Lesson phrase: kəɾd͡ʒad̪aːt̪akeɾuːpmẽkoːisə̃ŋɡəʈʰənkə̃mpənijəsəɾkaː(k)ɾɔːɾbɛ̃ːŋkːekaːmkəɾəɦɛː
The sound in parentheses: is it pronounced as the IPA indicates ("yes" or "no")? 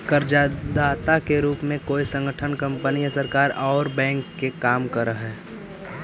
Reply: no